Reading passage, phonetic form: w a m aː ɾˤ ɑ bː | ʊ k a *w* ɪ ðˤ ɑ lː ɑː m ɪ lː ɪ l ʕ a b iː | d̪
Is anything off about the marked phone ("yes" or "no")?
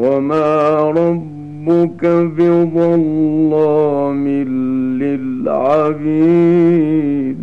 yes